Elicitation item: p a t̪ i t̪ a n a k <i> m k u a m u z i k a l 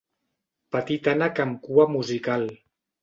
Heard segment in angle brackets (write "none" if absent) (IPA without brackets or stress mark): a